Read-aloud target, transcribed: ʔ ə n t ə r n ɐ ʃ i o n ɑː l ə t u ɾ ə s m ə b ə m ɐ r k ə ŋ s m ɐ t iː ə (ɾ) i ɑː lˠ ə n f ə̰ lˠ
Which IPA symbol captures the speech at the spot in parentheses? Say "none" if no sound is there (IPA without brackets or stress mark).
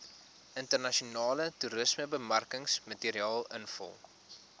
ɾ